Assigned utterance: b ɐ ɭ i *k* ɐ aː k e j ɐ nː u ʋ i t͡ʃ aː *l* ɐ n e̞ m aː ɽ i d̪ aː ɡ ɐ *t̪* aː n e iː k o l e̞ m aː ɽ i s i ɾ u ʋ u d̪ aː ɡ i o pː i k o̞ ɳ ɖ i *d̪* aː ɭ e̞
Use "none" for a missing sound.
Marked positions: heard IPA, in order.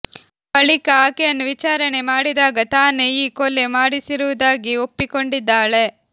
k, ɾ, t̪, d̪ː

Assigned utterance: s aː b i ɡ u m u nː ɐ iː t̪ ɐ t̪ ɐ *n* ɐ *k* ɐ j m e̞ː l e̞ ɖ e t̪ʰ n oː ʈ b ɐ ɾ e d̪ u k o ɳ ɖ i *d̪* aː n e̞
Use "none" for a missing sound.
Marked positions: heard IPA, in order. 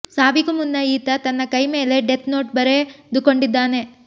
nː, k, d̪ː

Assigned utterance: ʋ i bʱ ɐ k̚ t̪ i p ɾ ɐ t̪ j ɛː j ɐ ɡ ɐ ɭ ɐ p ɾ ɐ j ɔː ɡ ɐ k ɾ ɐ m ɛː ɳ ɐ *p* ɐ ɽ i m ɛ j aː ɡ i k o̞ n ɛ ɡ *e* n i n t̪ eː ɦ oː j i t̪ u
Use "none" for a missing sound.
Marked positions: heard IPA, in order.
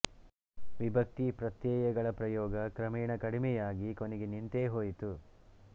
k, e

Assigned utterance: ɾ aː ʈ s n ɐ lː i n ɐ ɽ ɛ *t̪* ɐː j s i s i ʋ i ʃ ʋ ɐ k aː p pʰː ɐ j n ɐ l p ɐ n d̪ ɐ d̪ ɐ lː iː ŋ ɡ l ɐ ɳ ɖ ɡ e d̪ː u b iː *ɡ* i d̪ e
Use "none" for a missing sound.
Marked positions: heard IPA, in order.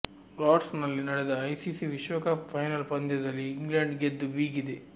d̪, ɡ

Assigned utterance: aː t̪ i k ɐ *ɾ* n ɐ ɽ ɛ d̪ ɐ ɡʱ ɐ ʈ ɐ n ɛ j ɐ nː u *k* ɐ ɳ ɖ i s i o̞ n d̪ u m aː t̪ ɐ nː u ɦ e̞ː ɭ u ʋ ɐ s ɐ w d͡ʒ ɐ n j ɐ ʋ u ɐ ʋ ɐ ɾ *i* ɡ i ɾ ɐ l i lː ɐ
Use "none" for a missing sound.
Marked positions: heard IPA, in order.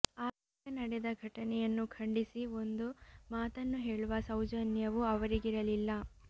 none, kʰ, i

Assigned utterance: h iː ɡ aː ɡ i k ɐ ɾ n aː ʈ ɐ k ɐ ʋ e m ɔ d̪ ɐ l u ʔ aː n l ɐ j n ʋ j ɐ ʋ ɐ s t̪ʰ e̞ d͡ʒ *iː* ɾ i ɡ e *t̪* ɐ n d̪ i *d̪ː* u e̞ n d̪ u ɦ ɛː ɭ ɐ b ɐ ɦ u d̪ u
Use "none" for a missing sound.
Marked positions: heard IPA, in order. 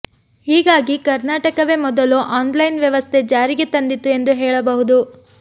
aː, t̪, t̪ː

